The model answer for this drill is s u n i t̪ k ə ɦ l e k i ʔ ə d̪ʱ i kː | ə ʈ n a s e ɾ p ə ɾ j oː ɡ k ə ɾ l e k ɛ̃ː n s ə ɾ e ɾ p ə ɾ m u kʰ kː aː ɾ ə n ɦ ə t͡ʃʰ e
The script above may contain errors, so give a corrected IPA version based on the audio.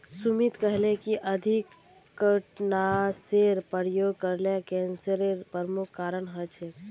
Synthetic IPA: s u m i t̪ k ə ɦ l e k i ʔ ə d̪ʱ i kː | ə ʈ n a s e ɾ p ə ɾ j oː ɡ k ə ɾ l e k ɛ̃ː n s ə ɾ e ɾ p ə ɾ m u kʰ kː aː ɾ ə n ɦ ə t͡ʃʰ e